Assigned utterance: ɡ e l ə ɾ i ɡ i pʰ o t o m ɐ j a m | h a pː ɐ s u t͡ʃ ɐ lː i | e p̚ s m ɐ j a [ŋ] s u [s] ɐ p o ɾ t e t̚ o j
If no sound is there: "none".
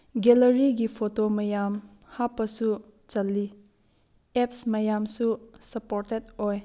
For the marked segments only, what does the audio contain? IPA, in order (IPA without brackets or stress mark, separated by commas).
m, s